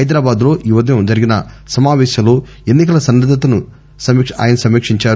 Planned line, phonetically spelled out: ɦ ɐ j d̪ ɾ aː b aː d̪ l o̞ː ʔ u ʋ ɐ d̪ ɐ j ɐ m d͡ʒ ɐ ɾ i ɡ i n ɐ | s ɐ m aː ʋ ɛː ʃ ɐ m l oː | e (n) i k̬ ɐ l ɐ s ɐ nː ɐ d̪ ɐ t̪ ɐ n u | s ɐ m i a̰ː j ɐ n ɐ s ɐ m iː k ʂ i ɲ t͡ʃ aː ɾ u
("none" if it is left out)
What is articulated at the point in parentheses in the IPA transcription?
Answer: nː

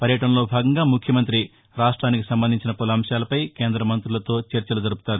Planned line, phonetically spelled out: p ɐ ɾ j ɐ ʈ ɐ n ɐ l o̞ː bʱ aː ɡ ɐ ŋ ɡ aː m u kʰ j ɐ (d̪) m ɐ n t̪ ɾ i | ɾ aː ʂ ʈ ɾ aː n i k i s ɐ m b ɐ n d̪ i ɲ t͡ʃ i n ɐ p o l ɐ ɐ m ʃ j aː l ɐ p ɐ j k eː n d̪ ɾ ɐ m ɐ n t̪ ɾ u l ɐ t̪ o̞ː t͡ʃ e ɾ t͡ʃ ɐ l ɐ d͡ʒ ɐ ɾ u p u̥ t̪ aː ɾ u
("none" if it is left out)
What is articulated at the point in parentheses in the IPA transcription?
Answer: none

